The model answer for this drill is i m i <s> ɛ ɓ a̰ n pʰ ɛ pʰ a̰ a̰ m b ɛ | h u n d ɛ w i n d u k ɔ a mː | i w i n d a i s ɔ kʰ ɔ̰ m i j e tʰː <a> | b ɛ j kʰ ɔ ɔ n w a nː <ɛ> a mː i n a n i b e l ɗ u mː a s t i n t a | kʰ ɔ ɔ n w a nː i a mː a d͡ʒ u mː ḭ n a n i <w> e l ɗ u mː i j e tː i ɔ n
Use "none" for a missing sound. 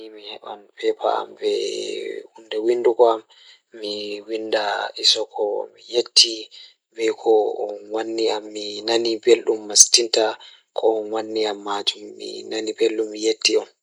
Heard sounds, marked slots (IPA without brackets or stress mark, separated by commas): h, i, i, b